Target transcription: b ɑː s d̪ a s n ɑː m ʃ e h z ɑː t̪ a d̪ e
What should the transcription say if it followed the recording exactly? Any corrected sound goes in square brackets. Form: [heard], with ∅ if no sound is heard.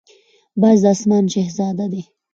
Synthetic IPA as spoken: b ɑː [z] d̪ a s [m] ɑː [n] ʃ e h z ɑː [d̪] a d̪ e